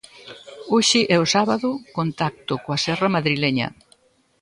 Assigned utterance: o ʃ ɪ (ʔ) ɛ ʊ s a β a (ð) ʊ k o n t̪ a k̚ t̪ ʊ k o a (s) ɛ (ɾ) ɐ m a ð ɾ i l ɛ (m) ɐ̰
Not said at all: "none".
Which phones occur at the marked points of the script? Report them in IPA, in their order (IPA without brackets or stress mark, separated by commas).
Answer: ʔ, ð, s, r, ɲ